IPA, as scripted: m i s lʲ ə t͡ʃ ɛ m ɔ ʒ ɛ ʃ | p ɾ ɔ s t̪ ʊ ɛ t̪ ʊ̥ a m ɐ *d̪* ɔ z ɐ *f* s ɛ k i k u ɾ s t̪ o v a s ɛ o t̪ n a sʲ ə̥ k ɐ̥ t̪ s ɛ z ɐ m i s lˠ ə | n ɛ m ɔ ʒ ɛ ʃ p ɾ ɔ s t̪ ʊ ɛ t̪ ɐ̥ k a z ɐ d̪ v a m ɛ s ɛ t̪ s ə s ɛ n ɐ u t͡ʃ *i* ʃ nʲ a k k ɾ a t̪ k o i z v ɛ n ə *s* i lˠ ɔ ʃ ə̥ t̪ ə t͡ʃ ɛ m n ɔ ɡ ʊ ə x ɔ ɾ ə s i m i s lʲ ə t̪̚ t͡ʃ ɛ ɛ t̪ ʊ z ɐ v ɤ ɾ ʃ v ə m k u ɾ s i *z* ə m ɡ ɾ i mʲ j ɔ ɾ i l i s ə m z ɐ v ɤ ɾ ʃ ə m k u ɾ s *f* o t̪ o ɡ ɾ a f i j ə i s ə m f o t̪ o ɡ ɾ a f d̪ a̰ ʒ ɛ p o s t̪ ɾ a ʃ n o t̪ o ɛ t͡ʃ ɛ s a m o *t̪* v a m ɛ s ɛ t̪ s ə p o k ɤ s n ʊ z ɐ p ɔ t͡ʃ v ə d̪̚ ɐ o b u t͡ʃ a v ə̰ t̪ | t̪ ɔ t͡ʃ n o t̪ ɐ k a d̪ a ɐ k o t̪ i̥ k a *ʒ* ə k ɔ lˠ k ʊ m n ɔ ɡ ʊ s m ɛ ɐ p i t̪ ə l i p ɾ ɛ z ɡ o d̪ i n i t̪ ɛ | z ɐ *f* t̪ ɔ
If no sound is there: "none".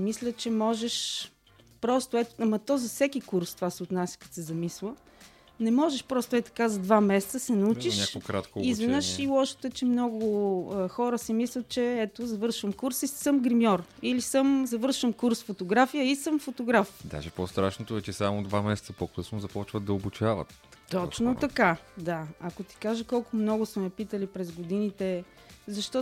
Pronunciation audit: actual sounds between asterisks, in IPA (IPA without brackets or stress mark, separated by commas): t̪, f, i, ʃ, s, f, d̪, ʒ, ʃ